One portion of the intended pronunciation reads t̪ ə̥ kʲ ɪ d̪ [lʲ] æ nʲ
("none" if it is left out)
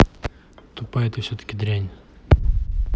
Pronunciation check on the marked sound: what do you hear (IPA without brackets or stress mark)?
ɾʲ